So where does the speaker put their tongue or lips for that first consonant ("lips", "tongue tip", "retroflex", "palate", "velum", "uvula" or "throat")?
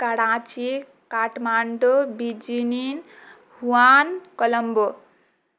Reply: velum